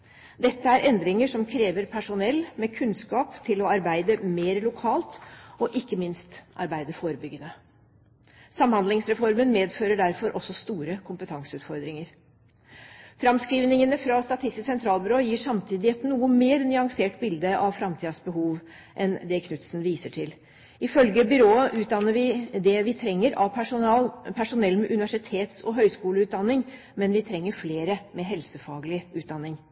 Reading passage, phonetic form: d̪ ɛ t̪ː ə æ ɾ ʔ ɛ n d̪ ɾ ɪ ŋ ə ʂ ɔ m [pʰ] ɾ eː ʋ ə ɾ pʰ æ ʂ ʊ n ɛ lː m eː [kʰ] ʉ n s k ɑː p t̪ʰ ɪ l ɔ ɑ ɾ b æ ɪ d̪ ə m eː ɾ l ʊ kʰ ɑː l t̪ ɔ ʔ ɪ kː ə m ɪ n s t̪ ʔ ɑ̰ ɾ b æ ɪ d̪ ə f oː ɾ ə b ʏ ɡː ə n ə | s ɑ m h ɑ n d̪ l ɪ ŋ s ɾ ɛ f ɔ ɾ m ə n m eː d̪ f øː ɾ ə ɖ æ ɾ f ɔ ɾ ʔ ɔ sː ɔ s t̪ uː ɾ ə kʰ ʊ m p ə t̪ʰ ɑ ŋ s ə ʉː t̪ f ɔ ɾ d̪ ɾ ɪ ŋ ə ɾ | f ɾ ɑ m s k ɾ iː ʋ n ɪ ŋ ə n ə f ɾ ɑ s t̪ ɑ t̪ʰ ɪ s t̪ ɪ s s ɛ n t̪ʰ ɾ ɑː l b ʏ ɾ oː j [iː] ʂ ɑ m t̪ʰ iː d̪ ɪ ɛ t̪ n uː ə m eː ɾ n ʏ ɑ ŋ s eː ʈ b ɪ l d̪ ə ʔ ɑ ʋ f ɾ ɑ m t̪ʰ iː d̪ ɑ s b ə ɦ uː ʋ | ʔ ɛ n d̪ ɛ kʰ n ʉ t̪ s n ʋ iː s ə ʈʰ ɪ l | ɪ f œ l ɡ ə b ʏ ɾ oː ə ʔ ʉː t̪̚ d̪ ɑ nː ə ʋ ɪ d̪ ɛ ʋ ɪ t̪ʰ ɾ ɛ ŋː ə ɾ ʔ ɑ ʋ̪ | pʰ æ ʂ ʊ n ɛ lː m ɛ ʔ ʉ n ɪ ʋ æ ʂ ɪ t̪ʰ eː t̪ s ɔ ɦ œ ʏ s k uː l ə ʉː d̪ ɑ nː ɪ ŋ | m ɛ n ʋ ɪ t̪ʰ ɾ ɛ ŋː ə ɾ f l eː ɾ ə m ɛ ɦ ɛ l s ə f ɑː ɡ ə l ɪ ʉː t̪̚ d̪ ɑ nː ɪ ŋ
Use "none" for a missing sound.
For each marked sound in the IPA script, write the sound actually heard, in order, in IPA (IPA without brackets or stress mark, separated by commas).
kʰ, kʰ, iː